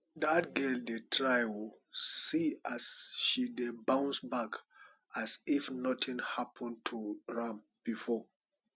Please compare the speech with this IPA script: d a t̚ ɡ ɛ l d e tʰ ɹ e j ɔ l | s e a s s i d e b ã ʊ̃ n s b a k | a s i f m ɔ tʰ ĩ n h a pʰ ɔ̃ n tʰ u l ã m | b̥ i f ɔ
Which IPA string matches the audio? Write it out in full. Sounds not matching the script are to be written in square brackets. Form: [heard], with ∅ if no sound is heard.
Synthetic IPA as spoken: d a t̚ ɡ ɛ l d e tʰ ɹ [a] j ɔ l | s [i] a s [ʃ] i d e b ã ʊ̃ n s b a k | a s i f [n] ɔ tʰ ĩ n h a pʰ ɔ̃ n tʰ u [ɹ] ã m | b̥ i f ɔ